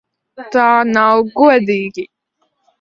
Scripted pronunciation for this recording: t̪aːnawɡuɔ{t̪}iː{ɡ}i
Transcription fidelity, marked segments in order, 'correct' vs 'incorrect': incorrect, correct

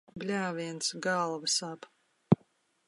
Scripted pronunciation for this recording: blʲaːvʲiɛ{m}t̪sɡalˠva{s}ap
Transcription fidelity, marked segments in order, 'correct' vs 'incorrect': incorrect, correct

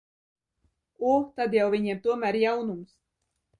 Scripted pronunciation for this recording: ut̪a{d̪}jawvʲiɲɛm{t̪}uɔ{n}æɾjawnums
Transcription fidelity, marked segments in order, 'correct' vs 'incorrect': correct, correct, incorrect

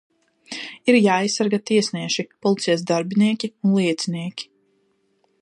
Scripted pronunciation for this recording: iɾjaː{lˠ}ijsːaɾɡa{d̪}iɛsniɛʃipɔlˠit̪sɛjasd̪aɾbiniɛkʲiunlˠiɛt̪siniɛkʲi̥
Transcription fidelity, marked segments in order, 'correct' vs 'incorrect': incorrect, incorrect

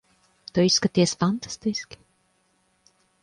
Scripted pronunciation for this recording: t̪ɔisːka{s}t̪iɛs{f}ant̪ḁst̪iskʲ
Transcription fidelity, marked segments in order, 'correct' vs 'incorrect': incorrect, correct

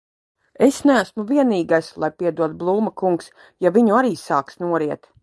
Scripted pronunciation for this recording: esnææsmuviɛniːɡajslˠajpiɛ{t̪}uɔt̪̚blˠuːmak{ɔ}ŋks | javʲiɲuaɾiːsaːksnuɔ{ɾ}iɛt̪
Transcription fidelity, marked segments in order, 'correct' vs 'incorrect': incorrect, incorrect, correct

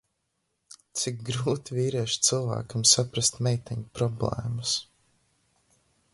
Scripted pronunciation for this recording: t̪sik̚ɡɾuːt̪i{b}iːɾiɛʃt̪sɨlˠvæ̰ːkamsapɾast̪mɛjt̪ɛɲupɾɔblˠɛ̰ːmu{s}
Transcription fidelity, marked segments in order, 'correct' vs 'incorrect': incorrect, correct

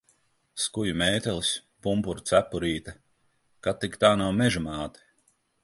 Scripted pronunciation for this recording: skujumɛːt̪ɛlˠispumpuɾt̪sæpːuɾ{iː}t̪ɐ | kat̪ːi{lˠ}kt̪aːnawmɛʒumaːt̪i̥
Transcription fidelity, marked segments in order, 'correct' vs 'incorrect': correct, incorrect

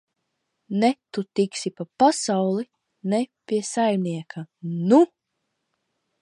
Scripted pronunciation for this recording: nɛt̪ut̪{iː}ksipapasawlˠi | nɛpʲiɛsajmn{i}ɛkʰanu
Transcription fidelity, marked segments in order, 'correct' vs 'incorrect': incorrect, correct

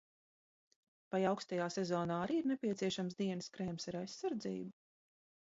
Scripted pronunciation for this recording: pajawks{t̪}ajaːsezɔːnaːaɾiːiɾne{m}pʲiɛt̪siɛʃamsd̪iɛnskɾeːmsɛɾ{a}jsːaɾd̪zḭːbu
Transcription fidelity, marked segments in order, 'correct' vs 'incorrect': correct, incorrect, correct

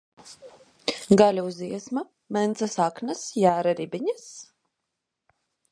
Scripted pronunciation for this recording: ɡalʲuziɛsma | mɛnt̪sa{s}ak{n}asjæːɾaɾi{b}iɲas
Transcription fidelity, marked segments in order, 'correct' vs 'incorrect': correct, correct, correct

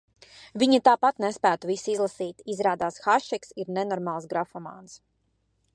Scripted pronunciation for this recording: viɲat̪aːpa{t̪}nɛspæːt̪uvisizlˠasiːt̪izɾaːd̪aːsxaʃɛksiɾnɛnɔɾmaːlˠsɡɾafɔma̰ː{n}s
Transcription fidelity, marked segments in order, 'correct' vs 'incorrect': correct, correct

